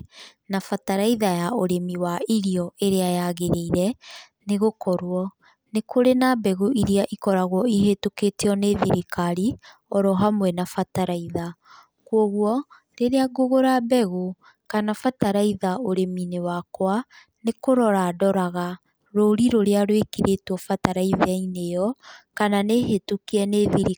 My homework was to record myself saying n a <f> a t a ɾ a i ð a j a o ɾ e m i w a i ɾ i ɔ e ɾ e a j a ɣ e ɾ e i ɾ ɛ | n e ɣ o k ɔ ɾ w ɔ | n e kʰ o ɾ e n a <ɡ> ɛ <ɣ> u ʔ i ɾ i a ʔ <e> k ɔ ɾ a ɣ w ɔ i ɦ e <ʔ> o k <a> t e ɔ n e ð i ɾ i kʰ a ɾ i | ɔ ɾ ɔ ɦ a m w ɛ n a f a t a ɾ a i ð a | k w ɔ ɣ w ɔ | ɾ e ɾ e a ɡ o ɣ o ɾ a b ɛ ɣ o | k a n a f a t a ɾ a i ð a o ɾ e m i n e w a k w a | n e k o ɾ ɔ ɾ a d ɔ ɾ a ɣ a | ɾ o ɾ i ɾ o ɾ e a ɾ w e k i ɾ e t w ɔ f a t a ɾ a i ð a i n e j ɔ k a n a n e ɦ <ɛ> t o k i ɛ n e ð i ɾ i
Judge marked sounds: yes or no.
yes, no, yes, no, no, no, no

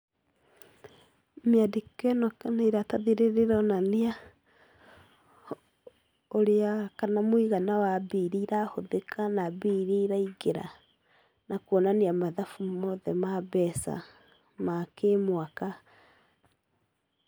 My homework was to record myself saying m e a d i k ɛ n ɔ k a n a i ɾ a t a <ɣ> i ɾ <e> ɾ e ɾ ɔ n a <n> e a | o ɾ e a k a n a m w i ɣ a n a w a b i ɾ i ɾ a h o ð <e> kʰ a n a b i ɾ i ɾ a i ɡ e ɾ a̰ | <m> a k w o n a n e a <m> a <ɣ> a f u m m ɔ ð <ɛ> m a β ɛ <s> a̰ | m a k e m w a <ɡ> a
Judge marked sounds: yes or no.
no, yes, yes, yes, no, yes, no, yes, yes, no

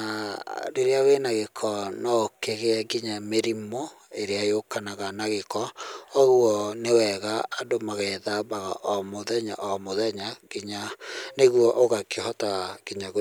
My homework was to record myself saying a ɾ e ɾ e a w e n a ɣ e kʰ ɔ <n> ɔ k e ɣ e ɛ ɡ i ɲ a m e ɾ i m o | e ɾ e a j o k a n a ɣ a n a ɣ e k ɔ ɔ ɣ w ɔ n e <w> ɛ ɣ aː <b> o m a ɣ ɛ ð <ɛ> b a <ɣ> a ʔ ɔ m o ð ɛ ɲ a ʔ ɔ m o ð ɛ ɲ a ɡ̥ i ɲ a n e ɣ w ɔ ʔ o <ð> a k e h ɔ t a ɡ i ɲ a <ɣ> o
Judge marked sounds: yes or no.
yes, yes, no, no, yes, no, yes

